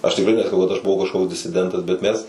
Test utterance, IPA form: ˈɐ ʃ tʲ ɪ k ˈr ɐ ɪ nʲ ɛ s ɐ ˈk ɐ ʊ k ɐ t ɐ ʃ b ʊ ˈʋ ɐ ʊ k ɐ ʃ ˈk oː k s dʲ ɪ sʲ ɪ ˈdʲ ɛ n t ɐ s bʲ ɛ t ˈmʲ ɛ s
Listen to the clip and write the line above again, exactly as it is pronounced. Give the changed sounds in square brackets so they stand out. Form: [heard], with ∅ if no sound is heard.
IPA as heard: ˈɐ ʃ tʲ ɪ k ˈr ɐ ɪ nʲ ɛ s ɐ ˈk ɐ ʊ k ɐ t ɐ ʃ b ʊ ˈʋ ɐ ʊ k ɐ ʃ ˈk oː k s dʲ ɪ sʲ ɪ ˈdʲ ɛ n t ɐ s bʲ ɛ t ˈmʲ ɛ s